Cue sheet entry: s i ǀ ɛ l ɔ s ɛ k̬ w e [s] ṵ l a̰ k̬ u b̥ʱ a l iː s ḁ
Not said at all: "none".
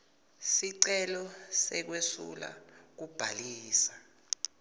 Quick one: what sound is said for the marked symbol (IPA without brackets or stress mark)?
s